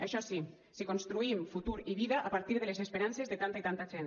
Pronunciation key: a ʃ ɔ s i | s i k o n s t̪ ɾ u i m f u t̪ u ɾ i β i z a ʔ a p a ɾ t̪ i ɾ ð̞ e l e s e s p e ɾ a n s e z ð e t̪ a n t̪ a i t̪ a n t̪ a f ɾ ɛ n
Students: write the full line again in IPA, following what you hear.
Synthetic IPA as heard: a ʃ ɔ s i | s i k o n s t̪ ɾ u i m f u t̪ u ɾ i β i ð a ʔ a p a ɾ t̪ i ɾ ð̞ e l e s e s p e ɾ a n s e z ð e t̪ a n t̪ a i t̪ a n t̪ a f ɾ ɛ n

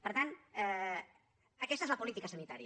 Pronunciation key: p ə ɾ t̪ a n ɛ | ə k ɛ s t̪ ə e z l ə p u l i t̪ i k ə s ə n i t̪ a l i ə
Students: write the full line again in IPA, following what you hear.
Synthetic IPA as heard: p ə ɾ t̪ a n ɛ | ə k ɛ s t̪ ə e z l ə p u l i t̪ i k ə s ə n i t̪ a ɾ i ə

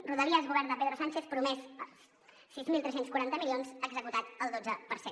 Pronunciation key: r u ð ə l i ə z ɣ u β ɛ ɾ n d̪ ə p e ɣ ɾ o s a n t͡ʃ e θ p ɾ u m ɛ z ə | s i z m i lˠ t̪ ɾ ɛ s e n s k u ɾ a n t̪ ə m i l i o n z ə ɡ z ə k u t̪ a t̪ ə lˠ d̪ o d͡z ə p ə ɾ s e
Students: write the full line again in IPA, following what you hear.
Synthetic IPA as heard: r u ð ə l i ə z ɣ u β ɛ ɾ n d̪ ə p e ð ɾ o s a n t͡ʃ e θ p ɾ u m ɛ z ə | s i z m i lˠ t̪ ɾ ɛ s e n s k u ɾ a n t̪ ə m i l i o n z ə ɡ z ə k u t̪ a t̪ ə lˠ d̪ o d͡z ə p ə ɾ s e

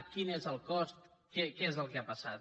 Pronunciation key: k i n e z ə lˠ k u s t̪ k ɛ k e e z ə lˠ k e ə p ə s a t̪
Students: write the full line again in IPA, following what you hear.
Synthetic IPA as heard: k i n e z ə lˠ k ɔ s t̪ k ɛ k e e z ə lˠ k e a p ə s a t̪

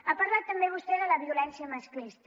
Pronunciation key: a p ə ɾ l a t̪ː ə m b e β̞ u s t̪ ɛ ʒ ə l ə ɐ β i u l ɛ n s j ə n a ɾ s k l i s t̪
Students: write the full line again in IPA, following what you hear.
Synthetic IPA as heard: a p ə ɾ l a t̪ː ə m b e β̞ u s t̪ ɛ ð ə l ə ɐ β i u l ɛ n s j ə m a s k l i s t̪

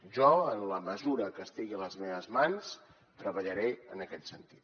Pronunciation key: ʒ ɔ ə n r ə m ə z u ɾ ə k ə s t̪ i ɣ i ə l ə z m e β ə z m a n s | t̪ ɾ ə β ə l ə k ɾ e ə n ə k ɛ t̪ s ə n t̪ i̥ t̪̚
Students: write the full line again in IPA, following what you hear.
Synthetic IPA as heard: ʒ ɔ ə n l ə m ə z u ɾ ə k ə s t̪ i ɣ i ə l ə z m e β ə z m a n s | t̪ ɾ ə β ə ʎ ə ɾ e ə n ə k ɛ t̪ s ə n t̪ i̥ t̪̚

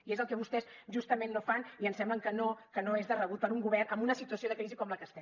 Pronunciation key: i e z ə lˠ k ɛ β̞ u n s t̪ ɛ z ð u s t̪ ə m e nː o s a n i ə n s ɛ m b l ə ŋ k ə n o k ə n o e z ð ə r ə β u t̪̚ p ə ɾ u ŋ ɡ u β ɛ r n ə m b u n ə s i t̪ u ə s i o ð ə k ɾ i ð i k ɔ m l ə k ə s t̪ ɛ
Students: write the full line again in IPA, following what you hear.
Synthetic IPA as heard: i e z ə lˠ k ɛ β̞ u s t̪ ɛ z ʒ u s t̪ ə m e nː o f a n i ə n s ɛ m b l ə ŋ k ə n o k ə n o e z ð ə r ə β u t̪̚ p ə ɾ u ŋ ɡ u β ɛ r n ə m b u n ə s i t̪ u ə s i o ð ə k ɾ i z i k ɔ m l ə k ə s t̪ ɛ

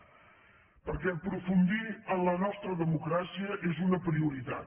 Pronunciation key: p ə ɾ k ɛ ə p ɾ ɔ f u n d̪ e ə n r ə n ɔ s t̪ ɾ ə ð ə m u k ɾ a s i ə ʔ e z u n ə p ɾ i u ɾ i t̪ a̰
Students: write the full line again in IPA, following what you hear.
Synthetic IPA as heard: p ə ɾ k ɛ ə p ɾ u f u n d̪ i ə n l ə n ɔ s t̪ ɾ ə ð ə m u k ɾ a s i ə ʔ e z u n ə p ɾ i u ɾ i t̪ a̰

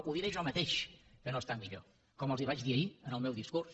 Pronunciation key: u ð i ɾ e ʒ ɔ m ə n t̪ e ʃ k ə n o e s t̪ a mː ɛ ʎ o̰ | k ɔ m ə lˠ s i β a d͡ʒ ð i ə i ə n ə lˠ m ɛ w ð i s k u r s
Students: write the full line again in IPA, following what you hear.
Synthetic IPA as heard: u ð i ɾ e ʒ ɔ m ə t̪ e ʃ k ə n o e s t̪ a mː i ʎ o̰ | k ɔ m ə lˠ z i β a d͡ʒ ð i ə i ə n ə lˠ m ɛ w ð i s k u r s

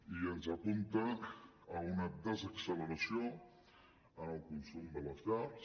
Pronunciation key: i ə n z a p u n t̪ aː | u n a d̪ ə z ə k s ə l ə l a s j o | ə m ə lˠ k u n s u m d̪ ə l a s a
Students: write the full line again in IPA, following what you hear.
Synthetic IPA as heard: i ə n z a p u n t̪ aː | u n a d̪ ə z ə k s ə l ə ɾ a s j o | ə n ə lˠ k u n s u m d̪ ə l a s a

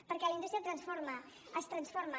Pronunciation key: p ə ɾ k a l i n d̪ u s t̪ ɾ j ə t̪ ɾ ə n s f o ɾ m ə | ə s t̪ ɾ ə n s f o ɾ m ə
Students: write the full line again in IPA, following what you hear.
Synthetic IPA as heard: p ə ɾ k ɛ l i n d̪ u s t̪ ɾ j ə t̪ ɾ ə n s f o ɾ m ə | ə s t̪ ɾ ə n s f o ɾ m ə

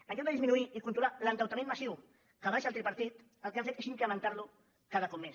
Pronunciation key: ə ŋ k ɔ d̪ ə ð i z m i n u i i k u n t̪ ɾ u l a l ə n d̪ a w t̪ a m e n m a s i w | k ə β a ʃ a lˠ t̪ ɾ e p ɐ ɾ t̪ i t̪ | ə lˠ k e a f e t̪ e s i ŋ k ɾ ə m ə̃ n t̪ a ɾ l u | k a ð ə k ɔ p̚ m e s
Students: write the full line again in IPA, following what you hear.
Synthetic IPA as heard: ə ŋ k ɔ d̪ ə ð i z m i n u i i k u n t̪ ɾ u l a l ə n t̪ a w t̪ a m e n m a s i w | k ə β a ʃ a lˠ t̪ ɾ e p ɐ ɾ t̪ i t̪ | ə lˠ k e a f e t̪ e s i ŋ k ɾ ə m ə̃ n t̪ a ɾ l u | k a ð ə k ɔ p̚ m e s

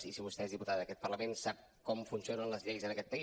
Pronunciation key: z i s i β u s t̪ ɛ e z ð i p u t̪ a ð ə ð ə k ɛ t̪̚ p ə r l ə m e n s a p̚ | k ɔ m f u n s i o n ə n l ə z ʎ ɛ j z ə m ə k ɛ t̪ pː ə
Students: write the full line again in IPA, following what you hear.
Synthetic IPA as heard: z i s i β u s t̪ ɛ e z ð i p u t̪ a ð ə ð ə k ɛ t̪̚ p ə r l ə m e n s a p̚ | k ɔ m f u n s i o n ə n l ə z ʎ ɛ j z ə n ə k ɛ t̪ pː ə

